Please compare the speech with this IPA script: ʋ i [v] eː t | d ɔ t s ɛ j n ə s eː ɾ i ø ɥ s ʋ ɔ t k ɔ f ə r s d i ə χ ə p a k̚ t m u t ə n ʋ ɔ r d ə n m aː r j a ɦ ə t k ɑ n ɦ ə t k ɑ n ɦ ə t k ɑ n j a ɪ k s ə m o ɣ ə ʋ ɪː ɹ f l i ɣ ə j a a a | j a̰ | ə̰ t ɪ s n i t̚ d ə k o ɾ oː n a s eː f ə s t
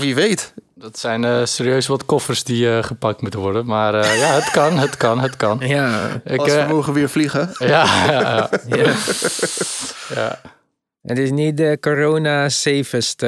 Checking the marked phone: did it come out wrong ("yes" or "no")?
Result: yes